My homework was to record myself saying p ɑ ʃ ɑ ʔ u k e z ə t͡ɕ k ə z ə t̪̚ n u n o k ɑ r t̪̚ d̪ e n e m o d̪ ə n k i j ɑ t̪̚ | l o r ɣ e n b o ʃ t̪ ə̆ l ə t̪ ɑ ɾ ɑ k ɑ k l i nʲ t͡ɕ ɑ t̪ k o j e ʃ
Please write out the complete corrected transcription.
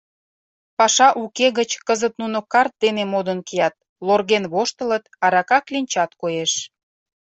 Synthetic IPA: p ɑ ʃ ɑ ʔ u k e ɣ ə t͡ɕ k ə z ə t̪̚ n u n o k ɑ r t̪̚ d̪ e n e m o d̪ ə n k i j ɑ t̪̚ | l o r ɣ e n β o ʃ t̪ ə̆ l ə t̪ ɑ ɾ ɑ k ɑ k l i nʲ t͡ɕ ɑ t̪ k o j e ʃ